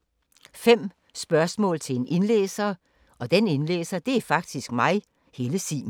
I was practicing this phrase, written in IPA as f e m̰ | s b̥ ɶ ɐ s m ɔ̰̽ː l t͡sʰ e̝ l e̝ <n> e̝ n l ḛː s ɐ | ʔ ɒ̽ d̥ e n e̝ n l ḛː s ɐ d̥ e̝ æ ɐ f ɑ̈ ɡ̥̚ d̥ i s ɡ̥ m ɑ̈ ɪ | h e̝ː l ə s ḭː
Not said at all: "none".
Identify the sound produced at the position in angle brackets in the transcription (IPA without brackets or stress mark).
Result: n